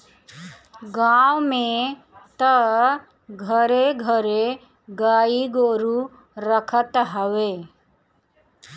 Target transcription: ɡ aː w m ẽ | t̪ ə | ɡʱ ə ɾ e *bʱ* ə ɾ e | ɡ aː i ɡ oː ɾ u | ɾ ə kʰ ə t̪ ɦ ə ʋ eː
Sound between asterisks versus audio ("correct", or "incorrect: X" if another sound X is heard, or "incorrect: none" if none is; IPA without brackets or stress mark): incorrect: ɡʱ